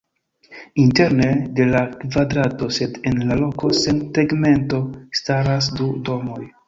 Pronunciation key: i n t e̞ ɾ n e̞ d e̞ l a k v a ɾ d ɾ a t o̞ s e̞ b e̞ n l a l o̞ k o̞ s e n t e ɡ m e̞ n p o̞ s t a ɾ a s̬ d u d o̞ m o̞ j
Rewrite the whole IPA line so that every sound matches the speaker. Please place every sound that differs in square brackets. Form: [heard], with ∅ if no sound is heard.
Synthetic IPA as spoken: i n t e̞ ɾ n e̞ d e̞ l a k v a [∅] d ɾ a t o̞ s e̞ [d] e̞ n l a l o̞ k o̞ s e n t e ɡ m e̞ n [t] o̞ s t a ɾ a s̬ d u d o̞ m o̞ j